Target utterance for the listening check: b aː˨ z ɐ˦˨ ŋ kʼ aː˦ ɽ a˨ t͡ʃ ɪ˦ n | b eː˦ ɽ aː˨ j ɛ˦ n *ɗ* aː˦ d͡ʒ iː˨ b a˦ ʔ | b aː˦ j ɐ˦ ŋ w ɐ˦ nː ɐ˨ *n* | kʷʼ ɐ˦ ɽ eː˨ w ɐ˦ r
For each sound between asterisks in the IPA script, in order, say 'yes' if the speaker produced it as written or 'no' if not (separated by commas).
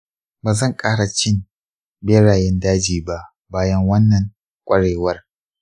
no, no